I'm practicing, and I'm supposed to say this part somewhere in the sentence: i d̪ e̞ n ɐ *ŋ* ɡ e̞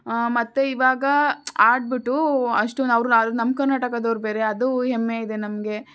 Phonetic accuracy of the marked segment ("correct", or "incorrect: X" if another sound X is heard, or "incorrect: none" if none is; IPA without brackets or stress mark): incorrect: m